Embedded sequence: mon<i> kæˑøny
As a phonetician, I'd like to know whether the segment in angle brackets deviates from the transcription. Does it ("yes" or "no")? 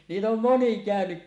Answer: no